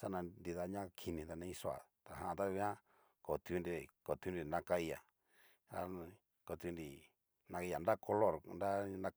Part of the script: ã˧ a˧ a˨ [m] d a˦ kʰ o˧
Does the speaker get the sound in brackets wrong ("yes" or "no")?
yes